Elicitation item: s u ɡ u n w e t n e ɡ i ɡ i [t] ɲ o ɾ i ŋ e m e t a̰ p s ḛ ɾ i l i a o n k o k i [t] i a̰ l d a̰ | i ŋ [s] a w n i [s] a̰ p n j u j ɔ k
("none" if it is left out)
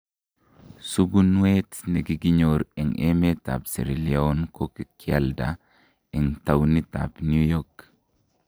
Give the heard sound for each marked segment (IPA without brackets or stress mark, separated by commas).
none, k, t, t